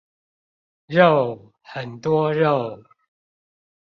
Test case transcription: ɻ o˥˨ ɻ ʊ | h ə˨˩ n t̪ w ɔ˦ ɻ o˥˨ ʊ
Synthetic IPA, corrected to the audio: ɻ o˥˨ ʊ | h ə˨˩ n t̪ w ɔ˦ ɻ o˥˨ ʊ